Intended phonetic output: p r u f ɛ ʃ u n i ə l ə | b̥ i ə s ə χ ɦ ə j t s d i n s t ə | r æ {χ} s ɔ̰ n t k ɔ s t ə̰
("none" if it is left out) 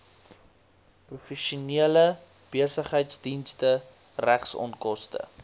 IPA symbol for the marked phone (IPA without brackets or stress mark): χ